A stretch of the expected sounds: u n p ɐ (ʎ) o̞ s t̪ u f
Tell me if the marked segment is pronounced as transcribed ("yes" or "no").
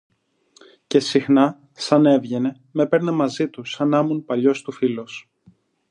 yes